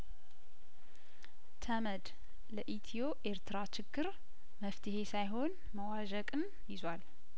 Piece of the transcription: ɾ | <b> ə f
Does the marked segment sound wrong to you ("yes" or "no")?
yes